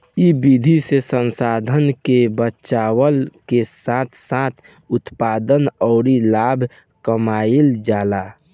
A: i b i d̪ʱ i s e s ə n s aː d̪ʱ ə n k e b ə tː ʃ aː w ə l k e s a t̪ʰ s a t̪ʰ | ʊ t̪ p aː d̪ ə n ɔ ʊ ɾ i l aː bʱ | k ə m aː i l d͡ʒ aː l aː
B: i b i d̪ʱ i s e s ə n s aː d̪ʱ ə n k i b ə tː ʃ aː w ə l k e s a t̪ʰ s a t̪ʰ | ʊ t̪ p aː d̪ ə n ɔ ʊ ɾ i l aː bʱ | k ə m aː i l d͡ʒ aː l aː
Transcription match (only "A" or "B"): A